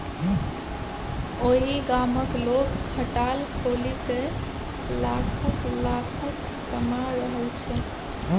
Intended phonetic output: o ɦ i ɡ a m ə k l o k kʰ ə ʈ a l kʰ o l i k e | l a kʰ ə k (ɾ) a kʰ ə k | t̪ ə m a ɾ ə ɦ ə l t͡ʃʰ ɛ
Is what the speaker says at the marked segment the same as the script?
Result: no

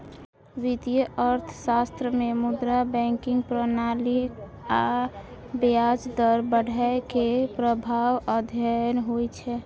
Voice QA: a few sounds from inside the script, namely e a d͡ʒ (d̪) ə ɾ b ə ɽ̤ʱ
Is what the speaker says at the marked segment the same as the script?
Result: yes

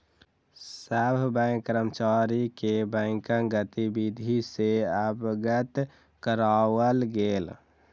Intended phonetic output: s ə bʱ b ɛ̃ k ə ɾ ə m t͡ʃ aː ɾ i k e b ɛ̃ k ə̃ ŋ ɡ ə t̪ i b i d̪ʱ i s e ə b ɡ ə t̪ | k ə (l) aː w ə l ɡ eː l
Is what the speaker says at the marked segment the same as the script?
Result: no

